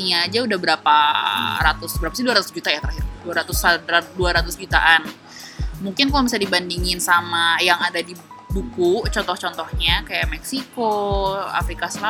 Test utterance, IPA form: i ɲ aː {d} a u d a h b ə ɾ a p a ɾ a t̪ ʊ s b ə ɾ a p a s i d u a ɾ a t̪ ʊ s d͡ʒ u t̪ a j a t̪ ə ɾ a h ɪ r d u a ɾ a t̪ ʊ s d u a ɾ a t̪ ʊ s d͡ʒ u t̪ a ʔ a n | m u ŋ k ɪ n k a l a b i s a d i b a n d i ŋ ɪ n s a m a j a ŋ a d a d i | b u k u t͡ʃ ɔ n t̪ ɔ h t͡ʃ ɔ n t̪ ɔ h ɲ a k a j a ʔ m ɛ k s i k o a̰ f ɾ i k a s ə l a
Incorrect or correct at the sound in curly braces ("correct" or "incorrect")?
incorrect